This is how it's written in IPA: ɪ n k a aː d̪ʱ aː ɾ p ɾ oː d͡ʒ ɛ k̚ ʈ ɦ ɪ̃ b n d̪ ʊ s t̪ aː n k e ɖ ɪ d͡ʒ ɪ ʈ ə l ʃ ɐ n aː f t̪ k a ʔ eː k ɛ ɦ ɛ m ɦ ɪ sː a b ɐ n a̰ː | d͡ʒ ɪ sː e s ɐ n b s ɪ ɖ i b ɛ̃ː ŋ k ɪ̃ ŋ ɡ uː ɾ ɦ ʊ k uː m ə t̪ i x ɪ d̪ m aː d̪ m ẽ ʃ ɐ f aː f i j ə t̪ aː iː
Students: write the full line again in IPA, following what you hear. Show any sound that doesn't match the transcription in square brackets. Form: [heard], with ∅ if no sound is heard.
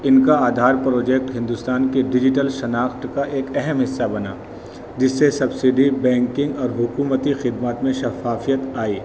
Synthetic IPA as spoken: ɪ n k a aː d̪ʱ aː ɾ p ɾ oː d͡ʒ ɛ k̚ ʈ ɦ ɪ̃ [∅] n d̪ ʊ s t̪ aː n k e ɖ ɪ d͡ʒ ɪ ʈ ə l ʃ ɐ n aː [x] t̪ k a ʔ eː k ɛ ɦ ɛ m ɦ ɪ sː a b ɐ n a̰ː | d͡ʒ ɪ sː e s ɐ [∅] b s ɪ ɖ i b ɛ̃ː ŋ k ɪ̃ ŋ ɡ [ɔː] ɾ ɦ ʊ k uː m ə t̪ i x ɪ d̪ m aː [t̪] m ẽ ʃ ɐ f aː f i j ə t̪ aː iː